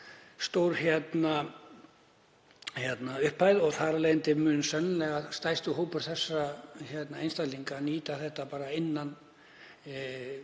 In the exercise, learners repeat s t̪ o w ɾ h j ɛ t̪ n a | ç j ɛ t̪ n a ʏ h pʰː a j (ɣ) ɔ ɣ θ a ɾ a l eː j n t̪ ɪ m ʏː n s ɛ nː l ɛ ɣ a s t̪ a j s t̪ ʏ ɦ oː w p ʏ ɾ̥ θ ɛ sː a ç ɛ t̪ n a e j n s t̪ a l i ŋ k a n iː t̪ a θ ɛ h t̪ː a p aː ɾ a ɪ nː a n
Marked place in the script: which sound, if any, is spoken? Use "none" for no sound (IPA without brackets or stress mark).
ð